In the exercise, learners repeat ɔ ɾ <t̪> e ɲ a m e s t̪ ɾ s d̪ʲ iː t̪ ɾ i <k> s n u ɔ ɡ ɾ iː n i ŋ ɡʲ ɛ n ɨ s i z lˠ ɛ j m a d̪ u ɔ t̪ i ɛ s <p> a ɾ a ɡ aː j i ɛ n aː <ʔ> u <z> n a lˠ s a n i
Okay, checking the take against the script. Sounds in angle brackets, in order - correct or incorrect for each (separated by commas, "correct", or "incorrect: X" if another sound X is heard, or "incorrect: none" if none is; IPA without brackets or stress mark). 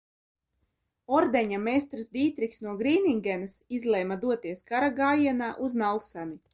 incorrect: d̪, correct, incorrect: k, correct, correct